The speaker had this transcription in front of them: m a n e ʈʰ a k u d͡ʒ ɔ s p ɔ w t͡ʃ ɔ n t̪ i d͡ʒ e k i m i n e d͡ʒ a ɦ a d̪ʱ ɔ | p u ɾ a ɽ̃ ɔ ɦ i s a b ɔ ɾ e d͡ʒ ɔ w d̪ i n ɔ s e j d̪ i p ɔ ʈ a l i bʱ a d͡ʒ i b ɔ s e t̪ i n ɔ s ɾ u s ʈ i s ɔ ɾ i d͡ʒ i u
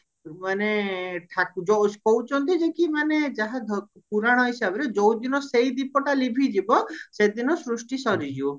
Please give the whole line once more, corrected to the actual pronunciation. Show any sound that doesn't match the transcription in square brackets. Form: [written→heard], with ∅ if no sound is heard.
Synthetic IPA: m a n e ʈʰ a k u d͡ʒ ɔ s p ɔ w t͡ʃ ɔ n t̪ i d͡ʒ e k i m [i→a] n e d͡ʒ a ɦ a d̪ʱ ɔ | p u ɾ a ɽ̃ ɔ ɦ i s a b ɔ ɾ e d͡ʒ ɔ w d̪ i n ɔ s e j d̪ i p ɔ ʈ a l i bʱ [a→i] d͡ʒ i b ɔ s e [t̪→d̪] i n ɔ s ɾ u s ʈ i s ɔ ɾ i d͡ʒ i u